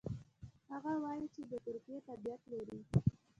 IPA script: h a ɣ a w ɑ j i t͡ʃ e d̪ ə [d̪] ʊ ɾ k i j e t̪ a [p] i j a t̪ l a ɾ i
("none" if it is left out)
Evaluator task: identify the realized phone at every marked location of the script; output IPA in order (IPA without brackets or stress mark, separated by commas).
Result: t̪, b